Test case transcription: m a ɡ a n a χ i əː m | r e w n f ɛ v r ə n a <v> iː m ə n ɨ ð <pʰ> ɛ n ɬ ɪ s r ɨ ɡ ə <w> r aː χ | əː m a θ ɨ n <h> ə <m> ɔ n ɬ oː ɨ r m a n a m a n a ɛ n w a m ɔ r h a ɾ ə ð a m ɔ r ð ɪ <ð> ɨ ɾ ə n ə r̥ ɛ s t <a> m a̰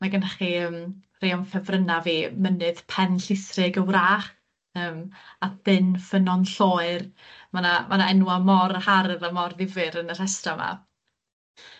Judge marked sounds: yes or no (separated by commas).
yes, yes, yes, no, no, no, yes